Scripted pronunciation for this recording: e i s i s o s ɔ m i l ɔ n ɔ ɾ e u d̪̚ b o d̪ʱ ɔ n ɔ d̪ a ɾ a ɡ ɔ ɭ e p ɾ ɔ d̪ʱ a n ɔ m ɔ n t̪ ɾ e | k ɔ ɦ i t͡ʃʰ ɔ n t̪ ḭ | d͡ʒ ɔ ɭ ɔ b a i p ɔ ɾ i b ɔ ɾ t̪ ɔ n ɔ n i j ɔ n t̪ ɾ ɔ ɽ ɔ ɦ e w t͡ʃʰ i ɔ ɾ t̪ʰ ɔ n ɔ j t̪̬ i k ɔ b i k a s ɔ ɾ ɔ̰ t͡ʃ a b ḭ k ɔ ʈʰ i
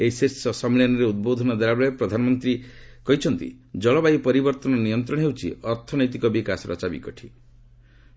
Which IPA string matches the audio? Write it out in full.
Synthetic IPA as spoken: e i s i s ɔ s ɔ m i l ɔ n ɔ ɾ e u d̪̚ b o d̪ʱ ɔ n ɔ d̪ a ɾ a b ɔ ɭ e p ɾ ɔ d̪ʱ a n ɔ m ɔ n t̪ ɾ i | k ɔ ɦ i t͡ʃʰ ɔ n t̪ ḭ | d͡ʒ ɔ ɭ ɔ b a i p ɔ ɾ i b ɔ ɾ t̪ ɔ n ɔ n i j ɔ n t̪ ɾ ɔ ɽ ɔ ɦ e w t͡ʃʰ i ɔ ɾ t̪ʰ ɔ n ɔ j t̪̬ i k ɔ b i k a s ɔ ɾ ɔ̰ t͡ʃ a b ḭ k ɔ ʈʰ i

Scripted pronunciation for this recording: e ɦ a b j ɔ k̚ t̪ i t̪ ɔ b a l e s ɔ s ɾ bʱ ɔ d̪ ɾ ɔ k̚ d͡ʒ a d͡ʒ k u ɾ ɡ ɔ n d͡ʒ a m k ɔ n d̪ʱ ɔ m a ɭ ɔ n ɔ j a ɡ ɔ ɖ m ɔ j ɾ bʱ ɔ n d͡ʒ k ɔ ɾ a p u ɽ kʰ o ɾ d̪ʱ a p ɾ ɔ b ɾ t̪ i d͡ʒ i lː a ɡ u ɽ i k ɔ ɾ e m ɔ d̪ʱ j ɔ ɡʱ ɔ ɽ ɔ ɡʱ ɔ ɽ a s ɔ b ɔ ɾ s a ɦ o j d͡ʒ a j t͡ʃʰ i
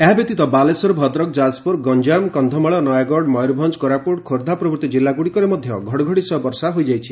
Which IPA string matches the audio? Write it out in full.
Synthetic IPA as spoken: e ɦ a b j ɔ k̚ t̪ i t̪ ɔ b a l e s ɔ ɾ bʱ ɔ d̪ ɾ ɔ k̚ d͡ʒ a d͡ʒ p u ɾ ɡ ɔ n d͡ʒ a m k ɔ n d̪ʱ ɔ m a ɭ ɔ n ɔ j a ɡ ɔ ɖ m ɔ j ɾ bʱ ɔ n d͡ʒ k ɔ ɾ a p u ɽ kʰ o ɾ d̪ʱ a p ɾ ɔ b ɾ t̪ i d͡ʒ i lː a ɡ u ɽ i k ɔ ɾ e m ɔ d̪ʱ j ɔ ɡʱ ɔ ɽ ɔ ɡʱ ɔ ɽ i s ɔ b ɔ ɾ s a ɦ o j d͡ʒ a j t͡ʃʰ i

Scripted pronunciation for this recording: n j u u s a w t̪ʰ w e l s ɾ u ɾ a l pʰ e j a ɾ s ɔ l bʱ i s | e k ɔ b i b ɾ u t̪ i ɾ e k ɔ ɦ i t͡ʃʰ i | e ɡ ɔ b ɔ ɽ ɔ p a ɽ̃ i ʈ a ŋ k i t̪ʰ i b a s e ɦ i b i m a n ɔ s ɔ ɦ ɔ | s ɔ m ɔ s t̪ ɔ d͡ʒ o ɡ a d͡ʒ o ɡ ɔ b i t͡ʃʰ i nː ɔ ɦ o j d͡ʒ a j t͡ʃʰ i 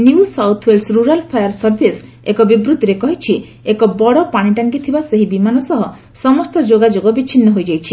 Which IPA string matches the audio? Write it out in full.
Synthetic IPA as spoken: n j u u s a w t̪ʰ w e l s ɾ u ɾ a l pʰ a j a ɾ s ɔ ɾ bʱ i s | e k ɔ b i b ɾ u t̪ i ɾ e k ɔ ɦ i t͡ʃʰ i | e k ɔ b ɔ ɽ ɔ p a ɽ̃ i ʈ a ŋ k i t̪ʰ i b a s e ɦ i b i m a n ɔ s ɔ ɦ ɔ | s ɔ m ɔ s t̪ ɔ d͡ʒ o ɡ a d͡ʒ o ɡ ɔ b i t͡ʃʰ i nː ɔ ɦ o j d͡ʒ a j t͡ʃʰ i

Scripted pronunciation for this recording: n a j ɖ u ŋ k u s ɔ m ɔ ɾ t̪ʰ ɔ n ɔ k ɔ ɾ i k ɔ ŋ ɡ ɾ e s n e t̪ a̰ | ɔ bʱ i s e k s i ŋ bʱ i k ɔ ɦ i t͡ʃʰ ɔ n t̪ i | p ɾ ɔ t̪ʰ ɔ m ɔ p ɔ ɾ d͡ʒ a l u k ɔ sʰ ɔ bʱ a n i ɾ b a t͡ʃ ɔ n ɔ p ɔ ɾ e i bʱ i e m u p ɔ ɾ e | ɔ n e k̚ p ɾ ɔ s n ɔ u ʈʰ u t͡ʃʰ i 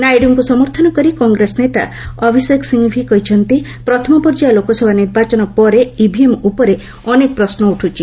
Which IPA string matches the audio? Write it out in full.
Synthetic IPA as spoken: n a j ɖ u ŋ k u s ɔ m ɔ ɾ t̪ʰ ɔ n ɔ k ɔ ɾ i k ɔ ŋ ɡ ɾ e s n e t̪ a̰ | ɔ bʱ i s e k s i ŋ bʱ i k ɔ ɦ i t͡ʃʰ ɔ n t̪ i | p ɾ ɔ t̪ʰ ɔ m ɔ p ɔ ɾ d͡ʒ a l o k ɔ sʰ ɔ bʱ a n i ɾ b a t͡ʃ ɔ n ɔ p ɔ ɾ e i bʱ i e m u p ɔ ɾ e | ɔ n e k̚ p ɾ ɔ s n ɔ u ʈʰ u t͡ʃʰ i

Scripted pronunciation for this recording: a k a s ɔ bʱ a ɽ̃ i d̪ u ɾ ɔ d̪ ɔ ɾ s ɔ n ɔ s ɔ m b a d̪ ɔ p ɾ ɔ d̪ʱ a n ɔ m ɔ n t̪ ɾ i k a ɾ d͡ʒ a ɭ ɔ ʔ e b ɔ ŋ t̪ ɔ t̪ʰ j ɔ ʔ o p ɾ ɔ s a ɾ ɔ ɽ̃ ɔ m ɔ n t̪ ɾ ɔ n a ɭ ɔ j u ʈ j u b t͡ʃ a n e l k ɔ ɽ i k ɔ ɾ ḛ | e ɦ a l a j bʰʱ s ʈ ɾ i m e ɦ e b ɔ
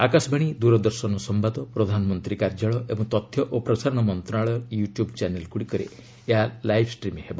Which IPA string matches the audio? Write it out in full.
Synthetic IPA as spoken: a k a s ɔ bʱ a ɽ̃ i d̪ u ɾ ɔ d̪ ɔ ɾ s ɔ n ɔ s ɔ m b a d̪ ɔ p ɾ ɔ d̪ʱ a n ɔ m ɔ n t̪ ɾ i k a ɾ d͡ʒ a ɭ ɔ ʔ e b ɔ ŋ t̪ ɔ t̪ʰ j ɔ ʔ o p ɾ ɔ s a ɾ ɔ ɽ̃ ɔ m ɔ n t̪ ɾ ɔ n a ɭ ɔ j u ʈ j u b t͡ʃ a n e l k u ɽ i k ɔ ɾ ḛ | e ɦ a l a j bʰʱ s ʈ ɾ i m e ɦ e b ɔ

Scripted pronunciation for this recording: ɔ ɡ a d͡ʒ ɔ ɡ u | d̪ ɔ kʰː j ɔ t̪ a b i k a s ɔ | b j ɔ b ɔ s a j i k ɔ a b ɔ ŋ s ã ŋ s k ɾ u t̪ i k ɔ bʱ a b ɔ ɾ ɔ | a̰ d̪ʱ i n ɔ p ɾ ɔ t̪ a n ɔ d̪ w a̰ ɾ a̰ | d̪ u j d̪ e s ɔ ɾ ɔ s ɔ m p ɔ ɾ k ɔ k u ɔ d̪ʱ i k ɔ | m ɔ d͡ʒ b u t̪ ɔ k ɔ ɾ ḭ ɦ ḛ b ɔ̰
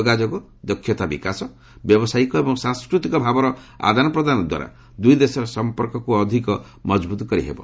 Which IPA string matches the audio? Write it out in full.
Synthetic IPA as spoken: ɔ ɡ a d͡ʒ ɔ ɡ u | d̪ ɔ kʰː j ɔ t̪ a b i k a s ɔ | b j ɔ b ɔ s a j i k ɔ e b ɔ ŋ s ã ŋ s k ɾ u t̪ i k ɔ bʱ a b ɔ ɾ ɔ | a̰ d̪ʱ a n ɔ p ɾ ɔ d̪ a n ɔ d̪ w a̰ ɾ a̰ | d̪ u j d̪ e s ɔ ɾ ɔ s ɔ m p ɔ ɾ k ɔ k u ɔ d̪ʱ i k ɔ | m ɔ d͡ʒ b u t̪ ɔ k ɔ ɾ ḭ ɦ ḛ b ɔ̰

